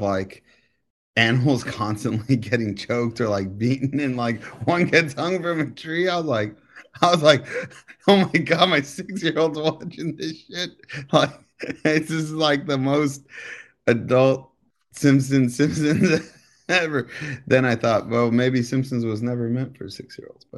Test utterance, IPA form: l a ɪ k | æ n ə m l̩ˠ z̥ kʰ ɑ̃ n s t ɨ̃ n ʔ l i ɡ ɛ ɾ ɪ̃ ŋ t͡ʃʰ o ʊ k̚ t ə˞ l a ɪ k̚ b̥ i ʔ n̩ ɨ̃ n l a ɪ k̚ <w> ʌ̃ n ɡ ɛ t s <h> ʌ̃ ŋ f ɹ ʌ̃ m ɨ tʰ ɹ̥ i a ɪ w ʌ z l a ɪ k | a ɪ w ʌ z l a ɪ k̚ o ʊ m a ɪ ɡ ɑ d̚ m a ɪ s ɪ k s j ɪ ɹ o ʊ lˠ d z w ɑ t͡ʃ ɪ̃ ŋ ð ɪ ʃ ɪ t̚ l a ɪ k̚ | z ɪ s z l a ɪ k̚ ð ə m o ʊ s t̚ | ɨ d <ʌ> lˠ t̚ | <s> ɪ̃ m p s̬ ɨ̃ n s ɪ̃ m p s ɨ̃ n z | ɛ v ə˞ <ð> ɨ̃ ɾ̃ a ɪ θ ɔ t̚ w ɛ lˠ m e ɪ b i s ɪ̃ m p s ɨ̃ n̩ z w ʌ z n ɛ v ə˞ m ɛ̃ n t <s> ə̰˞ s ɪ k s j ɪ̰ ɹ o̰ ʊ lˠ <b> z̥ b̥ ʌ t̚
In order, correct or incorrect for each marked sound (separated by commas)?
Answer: correct, correct, correct, correct, correct, incorrect, incorrect